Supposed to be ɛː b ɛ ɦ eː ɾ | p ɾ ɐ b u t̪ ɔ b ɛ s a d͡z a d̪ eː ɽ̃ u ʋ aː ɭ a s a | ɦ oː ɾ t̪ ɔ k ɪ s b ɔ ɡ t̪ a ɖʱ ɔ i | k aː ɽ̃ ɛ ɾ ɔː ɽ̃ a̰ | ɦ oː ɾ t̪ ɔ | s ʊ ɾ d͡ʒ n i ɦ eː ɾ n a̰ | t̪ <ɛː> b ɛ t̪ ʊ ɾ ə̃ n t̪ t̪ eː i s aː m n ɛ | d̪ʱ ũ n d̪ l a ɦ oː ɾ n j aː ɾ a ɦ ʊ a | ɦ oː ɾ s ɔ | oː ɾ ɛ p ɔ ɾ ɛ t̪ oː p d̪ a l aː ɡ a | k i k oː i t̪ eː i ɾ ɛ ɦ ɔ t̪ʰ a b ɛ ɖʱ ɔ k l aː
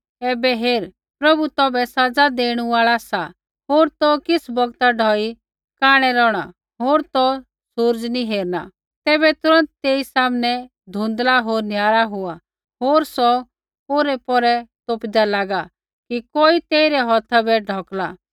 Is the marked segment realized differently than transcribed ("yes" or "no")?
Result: no